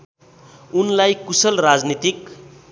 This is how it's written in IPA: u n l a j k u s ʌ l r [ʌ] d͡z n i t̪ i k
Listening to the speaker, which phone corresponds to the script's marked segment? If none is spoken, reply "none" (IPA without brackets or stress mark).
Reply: a